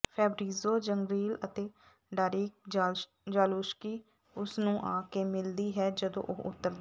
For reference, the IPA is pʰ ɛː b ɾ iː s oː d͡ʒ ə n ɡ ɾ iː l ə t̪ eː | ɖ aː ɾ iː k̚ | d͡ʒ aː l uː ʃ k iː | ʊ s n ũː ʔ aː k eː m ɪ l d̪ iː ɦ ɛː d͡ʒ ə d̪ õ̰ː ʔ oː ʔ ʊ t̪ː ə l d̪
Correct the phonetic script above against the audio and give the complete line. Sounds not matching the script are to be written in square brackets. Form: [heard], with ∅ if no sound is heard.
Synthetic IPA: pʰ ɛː b ɾ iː [z] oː d͡ʒ ə [ŋ] ɡ ɾ iː l ə t̪ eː | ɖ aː ɾ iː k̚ | d͡ʒ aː l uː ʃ k iː | ʊ s n ũː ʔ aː k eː m ɪ l d̪ iː ɦ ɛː d͡ʒ ə d̪ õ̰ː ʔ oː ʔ ʊ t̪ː ə [ɾ] d̪